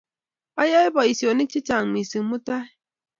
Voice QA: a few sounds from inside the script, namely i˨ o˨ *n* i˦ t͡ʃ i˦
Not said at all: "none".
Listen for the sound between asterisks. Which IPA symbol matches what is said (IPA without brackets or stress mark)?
n